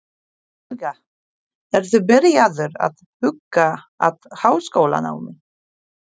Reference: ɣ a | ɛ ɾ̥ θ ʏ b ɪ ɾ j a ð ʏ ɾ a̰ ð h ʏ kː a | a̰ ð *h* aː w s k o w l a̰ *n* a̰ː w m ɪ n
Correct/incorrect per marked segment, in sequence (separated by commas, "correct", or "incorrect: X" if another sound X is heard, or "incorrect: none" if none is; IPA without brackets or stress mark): correct, correct